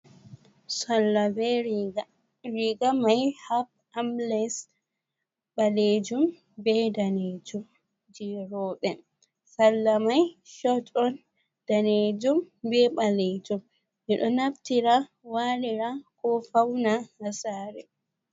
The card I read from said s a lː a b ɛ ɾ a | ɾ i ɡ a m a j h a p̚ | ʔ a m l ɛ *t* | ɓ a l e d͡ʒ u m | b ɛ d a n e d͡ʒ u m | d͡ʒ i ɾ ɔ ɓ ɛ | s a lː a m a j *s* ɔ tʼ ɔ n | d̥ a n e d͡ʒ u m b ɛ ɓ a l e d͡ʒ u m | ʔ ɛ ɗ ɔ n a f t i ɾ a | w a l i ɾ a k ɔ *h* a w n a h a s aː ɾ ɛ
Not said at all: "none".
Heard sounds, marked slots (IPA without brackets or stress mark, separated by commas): s, ʃ, f